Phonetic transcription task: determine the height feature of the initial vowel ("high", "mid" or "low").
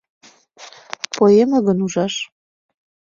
mid